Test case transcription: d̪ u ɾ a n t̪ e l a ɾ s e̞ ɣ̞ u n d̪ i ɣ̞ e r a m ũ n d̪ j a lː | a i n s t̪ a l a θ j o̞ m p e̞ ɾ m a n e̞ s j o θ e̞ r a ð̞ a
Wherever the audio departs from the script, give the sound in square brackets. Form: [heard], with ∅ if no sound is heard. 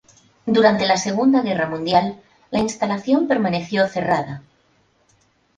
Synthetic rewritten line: d̪ u ɾ a n t̪ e l a [∅] s e̞ ɣ̞ u n d̪ [a] ɣ̞ e r a m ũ n d̪ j a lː | a i n s t̪ a l a θ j o̞ m p e̞ ɾ m a n e̞ [θ] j o θ e̞ r a ð̞ a